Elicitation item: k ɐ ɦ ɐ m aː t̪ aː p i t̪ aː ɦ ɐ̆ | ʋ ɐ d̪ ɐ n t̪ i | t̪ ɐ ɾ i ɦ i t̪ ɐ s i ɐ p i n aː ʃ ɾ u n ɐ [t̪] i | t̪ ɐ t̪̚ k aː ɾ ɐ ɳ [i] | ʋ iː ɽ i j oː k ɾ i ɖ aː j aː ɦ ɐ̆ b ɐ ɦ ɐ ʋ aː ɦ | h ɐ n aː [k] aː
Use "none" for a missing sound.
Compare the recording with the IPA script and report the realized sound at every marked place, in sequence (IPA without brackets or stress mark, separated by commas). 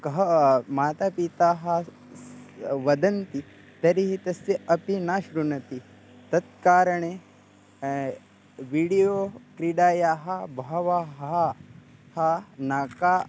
t̪, e, k